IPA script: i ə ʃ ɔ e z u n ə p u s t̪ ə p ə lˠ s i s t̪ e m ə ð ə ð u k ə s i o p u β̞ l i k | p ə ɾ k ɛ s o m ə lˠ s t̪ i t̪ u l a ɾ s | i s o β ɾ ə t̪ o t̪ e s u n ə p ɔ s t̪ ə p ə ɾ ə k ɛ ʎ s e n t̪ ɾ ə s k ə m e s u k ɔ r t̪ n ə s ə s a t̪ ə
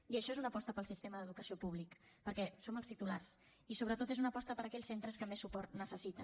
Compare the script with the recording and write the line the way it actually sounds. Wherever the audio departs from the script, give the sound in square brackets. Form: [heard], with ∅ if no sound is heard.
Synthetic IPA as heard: i ə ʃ ɔ e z u n ə p [ɔ] s t̪ ə p ə lˠ s i s t̪ e m ə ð ə ð u k ə s i o p u β̞ l i k | p ə ɾ k ɛ s o m ə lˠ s t̪ i t̪ u l a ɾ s | i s o β ɾ ə t̪ o t̪ e [z] u n ə p ɔ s t̪ ə p ə ɾ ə k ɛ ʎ s e n t̪ ɾ ə s k ə m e s u [p] ɔ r t̪ n ə s ə s [i] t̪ ə